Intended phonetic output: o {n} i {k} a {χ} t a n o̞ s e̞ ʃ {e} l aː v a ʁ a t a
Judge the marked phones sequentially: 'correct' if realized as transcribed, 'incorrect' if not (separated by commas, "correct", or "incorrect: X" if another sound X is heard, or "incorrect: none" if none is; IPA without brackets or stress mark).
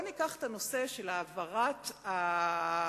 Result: correct, correct, correct, correct